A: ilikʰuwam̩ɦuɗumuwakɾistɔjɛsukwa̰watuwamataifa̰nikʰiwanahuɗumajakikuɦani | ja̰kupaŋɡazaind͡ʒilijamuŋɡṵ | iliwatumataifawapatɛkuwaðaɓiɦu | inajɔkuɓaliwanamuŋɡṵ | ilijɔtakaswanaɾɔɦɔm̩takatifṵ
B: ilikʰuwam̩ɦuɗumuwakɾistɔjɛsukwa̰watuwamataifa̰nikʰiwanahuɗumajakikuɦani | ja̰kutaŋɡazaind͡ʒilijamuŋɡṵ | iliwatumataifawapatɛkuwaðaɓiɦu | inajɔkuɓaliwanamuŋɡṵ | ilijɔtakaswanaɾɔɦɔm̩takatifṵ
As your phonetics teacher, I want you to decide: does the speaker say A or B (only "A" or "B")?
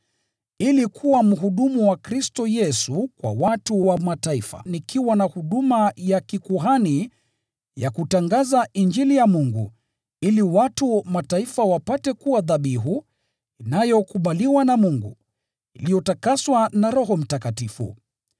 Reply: B